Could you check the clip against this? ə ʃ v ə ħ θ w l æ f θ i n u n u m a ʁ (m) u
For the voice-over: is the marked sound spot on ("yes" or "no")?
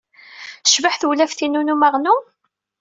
no